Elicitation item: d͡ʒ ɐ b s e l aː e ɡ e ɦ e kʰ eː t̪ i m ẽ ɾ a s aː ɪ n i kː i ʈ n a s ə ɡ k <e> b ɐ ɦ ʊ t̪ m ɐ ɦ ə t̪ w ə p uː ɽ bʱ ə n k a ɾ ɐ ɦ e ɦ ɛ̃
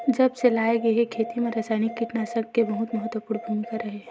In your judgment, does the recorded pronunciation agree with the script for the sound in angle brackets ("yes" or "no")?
yes